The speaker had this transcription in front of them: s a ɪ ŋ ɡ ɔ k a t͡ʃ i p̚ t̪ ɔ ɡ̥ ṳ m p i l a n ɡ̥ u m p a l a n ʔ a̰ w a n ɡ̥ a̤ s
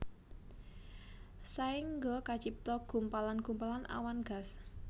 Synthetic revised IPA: s a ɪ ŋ ɡ ɔ k a t͡ʃ i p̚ t̪ ɔ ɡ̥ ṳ m p a l a n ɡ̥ u m p a l a n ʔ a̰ w a n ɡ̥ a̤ s